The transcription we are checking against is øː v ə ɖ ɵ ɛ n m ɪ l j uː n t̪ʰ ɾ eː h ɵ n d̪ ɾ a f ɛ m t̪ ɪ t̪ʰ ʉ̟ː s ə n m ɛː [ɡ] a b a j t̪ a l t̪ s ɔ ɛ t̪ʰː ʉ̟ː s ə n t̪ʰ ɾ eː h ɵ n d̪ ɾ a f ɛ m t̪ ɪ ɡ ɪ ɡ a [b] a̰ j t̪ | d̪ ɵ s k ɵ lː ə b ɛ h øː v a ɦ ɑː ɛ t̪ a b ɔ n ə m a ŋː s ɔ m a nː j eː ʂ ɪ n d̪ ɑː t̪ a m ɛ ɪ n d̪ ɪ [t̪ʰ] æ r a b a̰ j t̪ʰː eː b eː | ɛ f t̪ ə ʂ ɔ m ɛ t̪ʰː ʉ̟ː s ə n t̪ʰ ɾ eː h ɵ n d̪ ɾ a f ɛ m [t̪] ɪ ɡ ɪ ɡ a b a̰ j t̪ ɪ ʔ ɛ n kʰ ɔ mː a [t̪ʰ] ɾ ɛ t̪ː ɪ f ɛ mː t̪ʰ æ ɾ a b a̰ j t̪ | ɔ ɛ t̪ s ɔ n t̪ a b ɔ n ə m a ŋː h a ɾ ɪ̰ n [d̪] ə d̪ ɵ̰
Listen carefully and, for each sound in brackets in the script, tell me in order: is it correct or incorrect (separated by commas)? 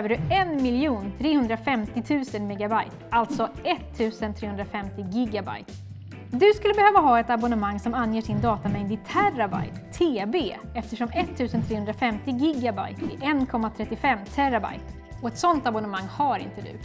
correct, correct, correct, correct, correct, incorrect